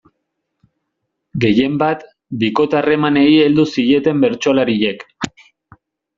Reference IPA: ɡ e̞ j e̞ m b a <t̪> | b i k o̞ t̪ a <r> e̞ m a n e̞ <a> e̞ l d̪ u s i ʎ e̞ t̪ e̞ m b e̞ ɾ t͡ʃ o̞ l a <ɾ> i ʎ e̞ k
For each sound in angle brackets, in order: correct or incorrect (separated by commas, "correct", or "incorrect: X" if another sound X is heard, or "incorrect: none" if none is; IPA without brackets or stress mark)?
correct, correct, incorrect: i, correct